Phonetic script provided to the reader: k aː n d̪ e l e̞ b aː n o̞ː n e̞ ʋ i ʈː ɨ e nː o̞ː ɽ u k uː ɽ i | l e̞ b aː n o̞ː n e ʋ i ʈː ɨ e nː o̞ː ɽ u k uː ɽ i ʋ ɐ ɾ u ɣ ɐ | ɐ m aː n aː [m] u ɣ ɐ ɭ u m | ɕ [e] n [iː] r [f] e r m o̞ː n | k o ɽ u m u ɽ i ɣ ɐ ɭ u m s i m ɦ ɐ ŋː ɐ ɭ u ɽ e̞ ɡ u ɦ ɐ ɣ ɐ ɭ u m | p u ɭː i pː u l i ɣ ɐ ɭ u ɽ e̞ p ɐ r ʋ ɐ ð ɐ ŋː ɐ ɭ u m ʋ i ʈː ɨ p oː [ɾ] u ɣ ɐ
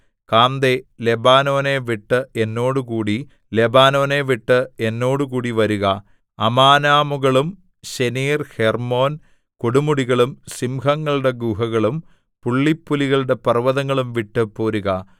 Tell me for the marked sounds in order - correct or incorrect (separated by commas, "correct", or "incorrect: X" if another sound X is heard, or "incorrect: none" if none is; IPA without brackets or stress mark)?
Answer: correct, correct, correct, incorrect: h, correct